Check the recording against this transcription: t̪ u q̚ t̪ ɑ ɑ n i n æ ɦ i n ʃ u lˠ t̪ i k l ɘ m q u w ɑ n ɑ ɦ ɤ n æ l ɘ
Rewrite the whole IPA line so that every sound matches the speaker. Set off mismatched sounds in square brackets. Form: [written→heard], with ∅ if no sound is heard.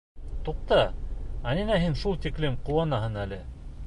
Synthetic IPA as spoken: t̪ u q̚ t̪ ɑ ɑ n i n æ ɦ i n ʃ u lˠ t̪ i k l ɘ m q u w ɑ n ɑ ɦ ɤ n æ l ɘ